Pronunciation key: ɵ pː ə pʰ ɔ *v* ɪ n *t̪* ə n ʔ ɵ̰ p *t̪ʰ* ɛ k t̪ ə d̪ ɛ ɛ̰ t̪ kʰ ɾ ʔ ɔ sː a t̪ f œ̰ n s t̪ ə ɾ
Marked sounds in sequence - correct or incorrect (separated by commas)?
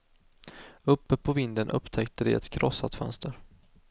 correct, incorrect, correct